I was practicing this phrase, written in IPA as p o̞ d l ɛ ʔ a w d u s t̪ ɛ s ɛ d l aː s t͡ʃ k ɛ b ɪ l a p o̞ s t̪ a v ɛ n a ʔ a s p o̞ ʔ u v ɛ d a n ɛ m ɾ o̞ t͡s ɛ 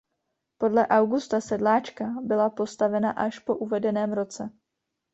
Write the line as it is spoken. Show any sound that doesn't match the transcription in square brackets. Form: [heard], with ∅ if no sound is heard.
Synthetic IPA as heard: p o̞ d l ɛ ʔ a w [ɡ] u s t̪ [a] s ɛ d l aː [∅] t͡ʃ k [a] b ɪ l a p o̞ s t̪ a v ɛ n a ʔ a [ʃ] p o̞ ʔ u v ɛ d [ɛ] n [ɛː] m ɾ o̞ t͡s ɛ